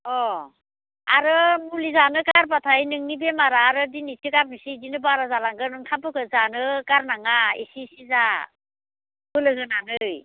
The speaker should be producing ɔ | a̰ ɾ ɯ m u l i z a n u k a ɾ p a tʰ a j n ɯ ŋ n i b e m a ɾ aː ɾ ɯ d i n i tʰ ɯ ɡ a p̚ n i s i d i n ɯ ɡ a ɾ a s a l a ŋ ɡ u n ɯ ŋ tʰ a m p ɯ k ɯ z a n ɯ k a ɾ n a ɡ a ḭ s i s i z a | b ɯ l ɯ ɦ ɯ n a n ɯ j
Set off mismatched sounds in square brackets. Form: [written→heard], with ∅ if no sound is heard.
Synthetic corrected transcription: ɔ | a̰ ɾ ɯ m u l i z a n [u→ɯ] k a ɾ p a tʰ a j n ɯ ŋ n i b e m a ɾ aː ɾ ɯ d i n i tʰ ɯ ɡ a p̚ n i s i d i n ɯ [ɡ→b] a ɾ a [s→z] a l a ŋ ɡ [u→ɯ] n ɯ ŋ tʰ a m p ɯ k ɯ z a n ɯ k a ɾ n a [ɡ→ŋ] a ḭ s i s i z a | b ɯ l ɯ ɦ ɯ n a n ɯ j